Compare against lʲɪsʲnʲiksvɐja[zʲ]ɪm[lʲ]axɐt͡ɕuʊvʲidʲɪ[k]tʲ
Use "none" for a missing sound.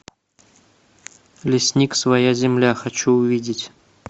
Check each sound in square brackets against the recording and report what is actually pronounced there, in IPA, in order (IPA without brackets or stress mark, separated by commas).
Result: zʲ, lʲ, none